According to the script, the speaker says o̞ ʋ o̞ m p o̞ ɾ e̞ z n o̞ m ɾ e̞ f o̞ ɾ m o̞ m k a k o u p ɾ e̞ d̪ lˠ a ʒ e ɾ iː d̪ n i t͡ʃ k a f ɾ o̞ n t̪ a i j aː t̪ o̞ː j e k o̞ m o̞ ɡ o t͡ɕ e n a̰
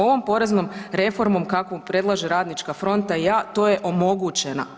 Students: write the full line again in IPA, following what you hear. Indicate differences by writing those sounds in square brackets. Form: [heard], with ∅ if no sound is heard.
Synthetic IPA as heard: o̞ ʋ o̞ m p o̞ ɾ e̞ z n o̞ m ɾ e̞ f o̞ ɾ m o̞ m k a k o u p ɾ e̞ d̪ lˠ a ʒ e ɾ [aː] d̪ n i t͡ʃ k a f ɾ o̞ n t̪ a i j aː t̪ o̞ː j e [ʔ] o̞ m o̞ ɡ [u] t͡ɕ e n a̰